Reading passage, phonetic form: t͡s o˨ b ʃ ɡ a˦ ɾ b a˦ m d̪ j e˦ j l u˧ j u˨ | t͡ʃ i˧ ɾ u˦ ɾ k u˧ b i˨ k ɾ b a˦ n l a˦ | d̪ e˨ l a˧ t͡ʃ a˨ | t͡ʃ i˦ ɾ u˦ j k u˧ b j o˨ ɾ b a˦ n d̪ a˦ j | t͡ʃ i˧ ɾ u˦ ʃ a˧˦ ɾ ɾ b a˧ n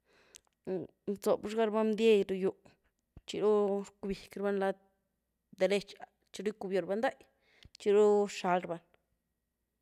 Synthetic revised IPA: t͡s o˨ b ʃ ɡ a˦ ɾ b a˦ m d̪ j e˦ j ɾ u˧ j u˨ | t͡ʃ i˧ ɾ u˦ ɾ k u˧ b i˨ k ɾ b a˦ n l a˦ | d̪ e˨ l e˧ t͡ʃ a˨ | t͡ʃ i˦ ɾ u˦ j k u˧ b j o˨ ɾ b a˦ n d̪ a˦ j | t͡ʃ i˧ ɾ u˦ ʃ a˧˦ l ɾ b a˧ n